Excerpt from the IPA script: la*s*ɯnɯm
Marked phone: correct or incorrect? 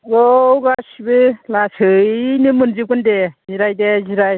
correct